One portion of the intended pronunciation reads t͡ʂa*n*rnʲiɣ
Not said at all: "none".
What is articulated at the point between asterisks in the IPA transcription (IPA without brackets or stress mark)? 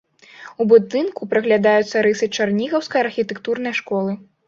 none